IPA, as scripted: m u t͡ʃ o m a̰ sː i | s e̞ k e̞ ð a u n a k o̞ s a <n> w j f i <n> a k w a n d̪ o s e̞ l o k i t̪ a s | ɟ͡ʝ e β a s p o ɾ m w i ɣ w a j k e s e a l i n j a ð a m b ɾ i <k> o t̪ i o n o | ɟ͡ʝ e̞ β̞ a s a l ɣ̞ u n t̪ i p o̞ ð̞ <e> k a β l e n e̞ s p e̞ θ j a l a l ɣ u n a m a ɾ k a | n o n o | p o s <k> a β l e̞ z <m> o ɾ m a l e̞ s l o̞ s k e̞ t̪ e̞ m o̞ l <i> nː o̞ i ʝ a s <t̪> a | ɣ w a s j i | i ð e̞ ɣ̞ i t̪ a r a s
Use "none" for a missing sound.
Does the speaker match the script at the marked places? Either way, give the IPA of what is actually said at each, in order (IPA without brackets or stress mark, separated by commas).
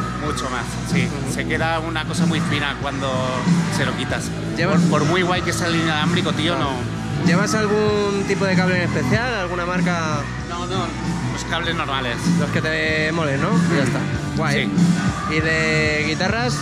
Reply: m, n, k, e, k, n, e, t̪